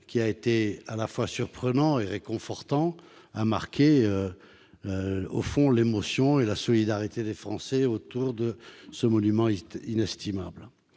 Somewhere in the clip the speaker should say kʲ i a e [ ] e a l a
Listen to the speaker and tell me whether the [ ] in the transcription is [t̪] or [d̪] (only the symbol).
t̪